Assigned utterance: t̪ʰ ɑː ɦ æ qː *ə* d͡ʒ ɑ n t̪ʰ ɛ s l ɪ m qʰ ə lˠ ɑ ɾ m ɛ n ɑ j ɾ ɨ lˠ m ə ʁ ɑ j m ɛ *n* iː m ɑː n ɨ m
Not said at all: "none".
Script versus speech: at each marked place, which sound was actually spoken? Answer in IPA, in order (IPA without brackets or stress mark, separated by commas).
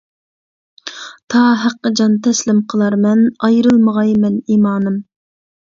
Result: ə, n